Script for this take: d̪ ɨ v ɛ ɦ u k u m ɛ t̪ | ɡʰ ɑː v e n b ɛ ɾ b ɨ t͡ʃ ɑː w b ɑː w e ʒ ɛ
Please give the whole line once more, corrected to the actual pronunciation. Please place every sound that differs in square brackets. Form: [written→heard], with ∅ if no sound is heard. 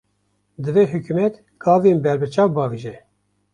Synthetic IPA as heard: d̪ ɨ v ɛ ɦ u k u m ɛ t̪ | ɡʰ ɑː v e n b ɛ ɾ b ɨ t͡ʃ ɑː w b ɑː [w→v] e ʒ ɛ